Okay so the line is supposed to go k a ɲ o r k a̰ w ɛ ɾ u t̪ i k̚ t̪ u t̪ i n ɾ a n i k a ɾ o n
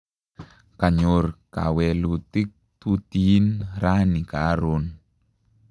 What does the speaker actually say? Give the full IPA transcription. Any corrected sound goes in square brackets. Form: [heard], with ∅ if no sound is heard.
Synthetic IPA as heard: k a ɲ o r k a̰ w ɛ [l] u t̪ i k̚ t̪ u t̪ i n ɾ a n i k a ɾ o n